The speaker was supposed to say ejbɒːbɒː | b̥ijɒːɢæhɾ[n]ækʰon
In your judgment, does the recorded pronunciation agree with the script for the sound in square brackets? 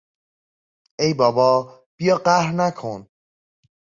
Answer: yes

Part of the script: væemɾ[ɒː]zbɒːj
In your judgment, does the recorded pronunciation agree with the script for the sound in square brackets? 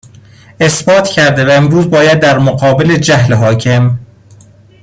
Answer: no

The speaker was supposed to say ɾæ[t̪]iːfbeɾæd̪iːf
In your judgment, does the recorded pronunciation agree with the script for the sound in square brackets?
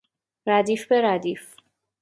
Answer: no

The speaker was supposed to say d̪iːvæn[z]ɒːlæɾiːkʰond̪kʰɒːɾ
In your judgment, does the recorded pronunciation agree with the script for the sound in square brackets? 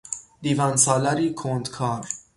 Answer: no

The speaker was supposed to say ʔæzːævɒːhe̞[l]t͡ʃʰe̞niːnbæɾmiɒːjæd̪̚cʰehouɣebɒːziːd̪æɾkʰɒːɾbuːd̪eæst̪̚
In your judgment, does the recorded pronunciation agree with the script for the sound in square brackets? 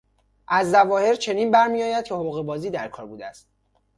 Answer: no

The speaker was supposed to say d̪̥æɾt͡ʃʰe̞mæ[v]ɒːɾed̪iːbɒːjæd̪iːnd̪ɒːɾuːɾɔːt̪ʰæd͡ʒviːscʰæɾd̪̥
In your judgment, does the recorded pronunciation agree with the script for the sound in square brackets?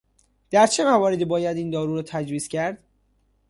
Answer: yes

